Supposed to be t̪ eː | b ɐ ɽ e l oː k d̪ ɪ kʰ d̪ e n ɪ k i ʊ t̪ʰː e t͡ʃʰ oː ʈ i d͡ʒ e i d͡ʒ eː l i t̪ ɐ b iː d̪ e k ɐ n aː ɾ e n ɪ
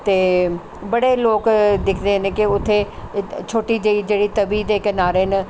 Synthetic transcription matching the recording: t̪ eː | b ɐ ɽ e l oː k d̪ ɪ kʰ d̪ e n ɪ k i ʊ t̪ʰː e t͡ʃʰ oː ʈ i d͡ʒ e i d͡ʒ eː ɽ i t̪ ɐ b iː d̪ e k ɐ n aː ɾ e n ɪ